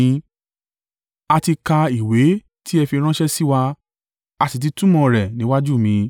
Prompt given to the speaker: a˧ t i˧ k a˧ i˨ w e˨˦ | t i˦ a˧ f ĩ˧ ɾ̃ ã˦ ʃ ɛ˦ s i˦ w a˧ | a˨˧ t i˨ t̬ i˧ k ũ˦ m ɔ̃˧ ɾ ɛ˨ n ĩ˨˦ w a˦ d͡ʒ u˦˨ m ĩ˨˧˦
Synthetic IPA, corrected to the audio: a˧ t i˧ k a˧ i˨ w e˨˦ | t i˦ ɛ˧ f i˧ ɾ̃ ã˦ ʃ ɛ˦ s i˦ w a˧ | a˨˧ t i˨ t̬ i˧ t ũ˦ m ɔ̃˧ ɾ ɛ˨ n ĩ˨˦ w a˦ d͡ʒ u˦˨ m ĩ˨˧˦